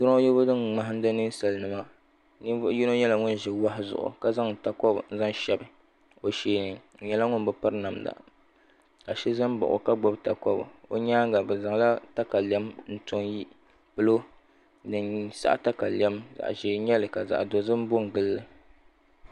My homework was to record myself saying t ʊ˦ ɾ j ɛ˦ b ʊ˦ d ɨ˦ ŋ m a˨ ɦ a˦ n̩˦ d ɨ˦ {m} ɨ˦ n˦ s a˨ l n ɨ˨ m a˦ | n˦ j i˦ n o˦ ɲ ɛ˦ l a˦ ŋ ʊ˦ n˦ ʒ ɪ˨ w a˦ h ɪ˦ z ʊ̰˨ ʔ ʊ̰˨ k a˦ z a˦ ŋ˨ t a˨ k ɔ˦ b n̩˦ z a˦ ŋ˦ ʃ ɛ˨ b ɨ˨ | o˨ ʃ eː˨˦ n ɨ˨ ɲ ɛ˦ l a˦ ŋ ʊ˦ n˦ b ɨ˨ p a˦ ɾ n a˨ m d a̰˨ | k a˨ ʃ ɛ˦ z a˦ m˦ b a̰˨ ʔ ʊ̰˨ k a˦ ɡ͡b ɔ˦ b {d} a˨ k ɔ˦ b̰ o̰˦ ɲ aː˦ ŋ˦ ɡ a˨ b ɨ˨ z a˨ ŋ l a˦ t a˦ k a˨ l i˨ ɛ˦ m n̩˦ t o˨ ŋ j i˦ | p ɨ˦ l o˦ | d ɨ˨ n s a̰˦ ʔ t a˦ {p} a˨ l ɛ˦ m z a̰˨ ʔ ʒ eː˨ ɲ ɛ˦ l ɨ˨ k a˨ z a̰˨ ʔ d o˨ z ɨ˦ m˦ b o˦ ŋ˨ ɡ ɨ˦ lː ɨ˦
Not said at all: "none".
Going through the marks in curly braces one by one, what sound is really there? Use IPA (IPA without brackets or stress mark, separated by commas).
n, t, k